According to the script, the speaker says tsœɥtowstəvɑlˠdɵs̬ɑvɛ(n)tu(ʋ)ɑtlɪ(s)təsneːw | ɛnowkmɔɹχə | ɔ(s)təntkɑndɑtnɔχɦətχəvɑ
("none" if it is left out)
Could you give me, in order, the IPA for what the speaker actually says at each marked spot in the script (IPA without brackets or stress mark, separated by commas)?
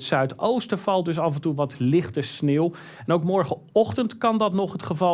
n, ʋ, χ, χ